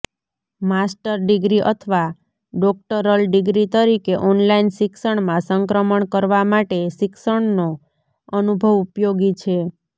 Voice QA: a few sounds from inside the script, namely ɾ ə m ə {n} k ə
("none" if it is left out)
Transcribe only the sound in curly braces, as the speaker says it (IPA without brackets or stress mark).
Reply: ɳ